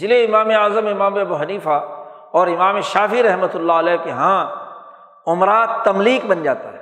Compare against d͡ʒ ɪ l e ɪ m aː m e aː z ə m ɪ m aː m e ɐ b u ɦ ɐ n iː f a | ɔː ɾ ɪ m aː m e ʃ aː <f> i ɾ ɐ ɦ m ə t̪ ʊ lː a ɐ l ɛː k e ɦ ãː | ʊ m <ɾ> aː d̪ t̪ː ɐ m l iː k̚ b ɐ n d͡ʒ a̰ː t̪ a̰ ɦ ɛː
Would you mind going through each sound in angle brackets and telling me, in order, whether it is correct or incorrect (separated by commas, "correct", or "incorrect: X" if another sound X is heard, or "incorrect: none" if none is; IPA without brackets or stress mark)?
correct, correct